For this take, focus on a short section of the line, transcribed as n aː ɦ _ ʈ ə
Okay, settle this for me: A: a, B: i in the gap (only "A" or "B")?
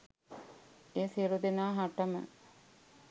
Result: A